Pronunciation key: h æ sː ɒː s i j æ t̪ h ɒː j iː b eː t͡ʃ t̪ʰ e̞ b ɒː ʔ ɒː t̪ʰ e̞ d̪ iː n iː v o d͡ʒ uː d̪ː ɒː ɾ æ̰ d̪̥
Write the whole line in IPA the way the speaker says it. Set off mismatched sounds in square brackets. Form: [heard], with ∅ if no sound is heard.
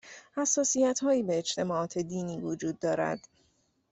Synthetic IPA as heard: h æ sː ɒː s i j æ t̪ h ɒː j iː b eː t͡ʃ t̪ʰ e̞ [m] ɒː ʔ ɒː t̪ʰ e̞ d̪ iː n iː v o d͡ʒ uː d̪ː ɒː ɾ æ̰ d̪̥